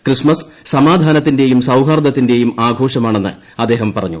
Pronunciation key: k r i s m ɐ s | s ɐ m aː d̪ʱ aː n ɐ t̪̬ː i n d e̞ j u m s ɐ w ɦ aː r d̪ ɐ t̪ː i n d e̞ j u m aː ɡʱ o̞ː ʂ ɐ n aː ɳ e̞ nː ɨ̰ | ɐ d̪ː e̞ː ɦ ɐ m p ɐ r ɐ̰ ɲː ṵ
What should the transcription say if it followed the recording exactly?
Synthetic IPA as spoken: k r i s m ɐ s | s ɐ m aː d̪ʱ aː n ɐ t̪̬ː i n d e̞ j u m s ɐ w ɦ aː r d̪ ɐ t̪ː i n d e̞ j u m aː ɡʱ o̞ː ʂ ɐ m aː ɳ e̞ nː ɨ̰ | ɐ d̪ː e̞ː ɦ ɐ m p ɐ r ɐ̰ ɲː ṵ